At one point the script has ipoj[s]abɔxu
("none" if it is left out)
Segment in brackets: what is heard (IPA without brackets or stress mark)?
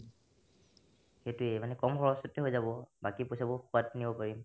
s